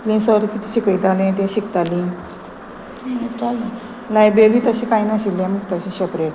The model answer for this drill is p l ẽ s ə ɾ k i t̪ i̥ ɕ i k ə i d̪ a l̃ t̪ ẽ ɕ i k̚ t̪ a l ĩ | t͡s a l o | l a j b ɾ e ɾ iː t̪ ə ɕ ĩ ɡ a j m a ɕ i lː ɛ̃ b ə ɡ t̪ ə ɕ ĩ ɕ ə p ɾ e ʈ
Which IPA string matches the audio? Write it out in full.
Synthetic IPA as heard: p l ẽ s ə ɾ k i t̪ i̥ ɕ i k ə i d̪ a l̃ t̪ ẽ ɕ i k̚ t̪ a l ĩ | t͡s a l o | l a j b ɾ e ɾ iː t̪ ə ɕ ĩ k a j n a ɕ i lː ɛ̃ m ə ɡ t̪ ə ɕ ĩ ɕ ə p ɾ e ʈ